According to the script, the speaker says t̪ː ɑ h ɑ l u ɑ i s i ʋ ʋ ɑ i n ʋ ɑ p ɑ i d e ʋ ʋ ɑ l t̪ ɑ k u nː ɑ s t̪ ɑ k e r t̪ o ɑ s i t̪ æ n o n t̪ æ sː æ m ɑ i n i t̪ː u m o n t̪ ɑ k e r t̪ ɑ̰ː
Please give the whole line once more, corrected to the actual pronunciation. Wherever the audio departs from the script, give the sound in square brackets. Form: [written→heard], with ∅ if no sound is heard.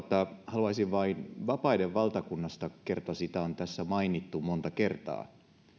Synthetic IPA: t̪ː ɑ h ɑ l u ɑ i s i ʋ ʋ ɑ i n ʋ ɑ p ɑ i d e ʋ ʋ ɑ l t̪ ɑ k u nː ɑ s t̪ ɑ k e r t̪ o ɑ s i t̪ æ [n→∅] o n t̪ æ sː æ m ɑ i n i t̪ː u m o n t̪ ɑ k e r t̪ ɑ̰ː